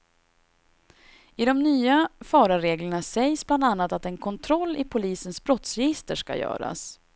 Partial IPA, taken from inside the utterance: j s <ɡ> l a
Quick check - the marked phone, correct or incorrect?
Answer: incorrect: b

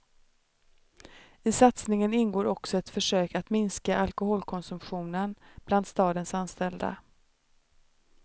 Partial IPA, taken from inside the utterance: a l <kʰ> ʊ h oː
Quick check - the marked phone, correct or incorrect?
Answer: incorrect: k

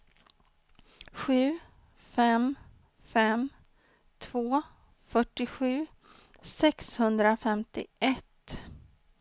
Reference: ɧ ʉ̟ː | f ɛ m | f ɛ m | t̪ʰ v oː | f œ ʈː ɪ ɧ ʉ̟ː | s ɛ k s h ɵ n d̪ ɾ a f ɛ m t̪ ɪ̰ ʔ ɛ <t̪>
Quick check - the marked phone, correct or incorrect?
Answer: correct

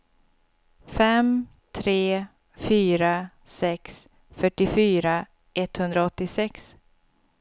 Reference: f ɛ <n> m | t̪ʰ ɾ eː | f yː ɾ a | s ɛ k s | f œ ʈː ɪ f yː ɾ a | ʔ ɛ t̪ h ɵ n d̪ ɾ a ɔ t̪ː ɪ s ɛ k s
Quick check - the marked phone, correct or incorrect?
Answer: incorrect: none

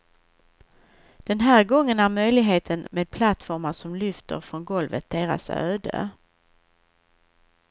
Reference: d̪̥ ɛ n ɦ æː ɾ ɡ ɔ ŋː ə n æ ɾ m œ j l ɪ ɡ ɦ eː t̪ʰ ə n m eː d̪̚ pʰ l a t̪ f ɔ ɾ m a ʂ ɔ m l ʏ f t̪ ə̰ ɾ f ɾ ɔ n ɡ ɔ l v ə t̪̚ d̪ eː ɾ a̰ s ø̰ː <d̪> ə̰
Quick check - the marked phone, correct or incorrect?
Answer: correct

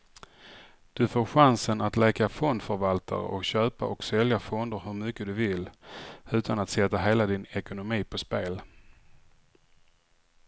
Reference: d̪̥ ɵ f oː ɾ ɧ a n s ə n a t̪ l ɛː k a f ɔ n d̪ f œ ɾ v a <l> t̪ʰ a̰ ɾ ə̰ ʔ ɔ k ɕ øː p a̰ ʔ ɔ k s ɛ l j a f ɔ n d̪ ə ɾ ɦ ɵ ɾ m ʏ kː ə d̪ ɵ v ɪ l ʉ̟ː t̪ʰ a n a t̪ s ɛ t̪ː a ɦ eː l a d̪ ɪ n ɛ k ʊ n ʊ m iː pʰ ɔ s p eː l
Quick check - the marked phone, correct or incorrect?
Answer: correct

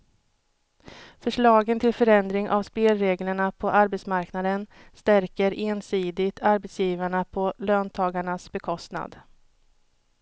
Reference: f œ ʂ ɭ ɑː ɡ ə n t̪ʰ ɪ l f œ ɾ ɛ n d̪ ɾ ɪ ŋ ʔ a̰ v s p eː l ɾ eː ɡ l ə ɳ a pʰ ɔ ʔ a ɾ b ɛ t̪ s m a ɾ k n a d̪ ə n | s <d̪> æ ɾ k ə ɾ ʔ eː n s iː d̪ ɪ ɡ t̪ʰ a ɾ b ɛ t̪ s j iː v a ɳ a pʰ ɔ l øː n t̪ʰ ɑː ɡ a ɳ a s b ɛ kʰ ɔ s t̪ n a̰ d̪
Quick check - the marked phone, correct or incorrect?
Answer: incorrect: t̪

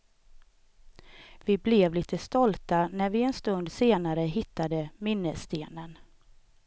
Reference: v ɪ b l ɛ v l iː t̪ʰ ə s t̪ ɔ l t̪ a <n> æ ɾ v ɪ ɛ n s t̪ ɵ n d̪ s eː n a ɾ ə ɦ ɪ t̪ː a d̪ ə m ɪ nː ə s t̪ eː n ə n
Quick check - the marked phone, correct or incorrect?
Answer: correct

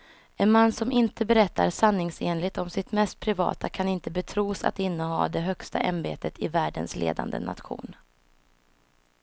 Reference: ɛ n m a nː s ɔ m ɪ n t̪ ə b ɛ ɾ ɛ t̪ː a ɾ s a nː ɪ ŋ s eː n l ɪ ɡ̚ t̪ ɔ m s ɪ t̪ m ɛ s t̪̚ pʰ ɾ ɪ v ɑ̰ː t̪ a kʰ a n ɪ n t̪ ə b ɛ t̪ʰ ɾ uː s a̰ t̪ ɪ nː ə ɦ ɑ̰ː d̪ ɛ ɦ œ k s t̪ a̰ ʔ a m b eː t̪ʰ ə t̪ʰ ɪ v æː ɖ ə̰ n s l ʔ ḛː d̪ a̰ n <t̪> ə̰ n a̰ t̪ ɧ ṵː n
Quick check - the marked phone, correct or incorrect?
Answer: incorrect: d̪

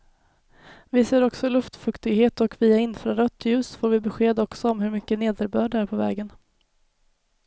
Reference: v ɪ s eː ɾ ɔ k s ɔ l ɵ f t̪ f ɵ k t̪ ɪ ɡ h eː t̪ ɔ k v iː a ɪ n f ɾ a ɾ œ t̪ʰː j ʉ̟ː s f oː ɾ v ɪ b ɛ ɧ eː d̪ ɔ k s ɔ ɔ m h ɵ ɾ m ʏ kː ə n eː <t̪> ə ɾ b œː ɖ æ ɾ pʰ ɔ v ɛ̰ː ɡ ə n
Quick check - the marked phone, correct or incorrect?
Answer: incorrect: d̪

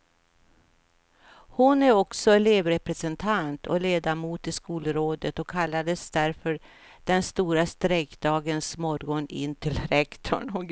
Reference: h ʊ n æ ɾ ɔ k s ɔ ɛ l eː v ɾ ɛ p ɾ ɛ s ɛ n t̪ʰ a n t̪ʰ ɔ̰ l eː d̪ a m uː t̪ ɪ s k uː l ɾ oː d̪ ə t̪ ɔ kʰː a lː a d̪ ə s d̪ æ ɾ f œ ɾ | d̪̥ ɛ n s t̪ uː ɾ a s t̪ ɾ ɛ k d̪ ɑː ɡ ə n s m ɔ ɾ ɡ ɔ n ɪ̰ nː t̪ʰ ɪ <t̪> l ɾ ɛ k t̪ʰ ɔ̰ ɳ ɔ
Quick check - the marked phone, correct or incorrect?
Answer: incorrect: none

